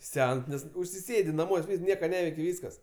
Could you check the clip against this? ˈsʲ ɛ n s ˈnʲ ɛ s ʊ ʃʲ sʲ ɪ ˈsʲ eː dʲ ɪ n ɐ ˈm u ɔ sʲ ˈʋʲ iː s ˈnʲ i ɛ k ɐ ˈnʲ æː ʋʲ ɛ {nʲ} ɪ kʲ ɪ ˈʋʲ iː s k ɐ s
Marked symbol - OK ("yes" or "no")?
no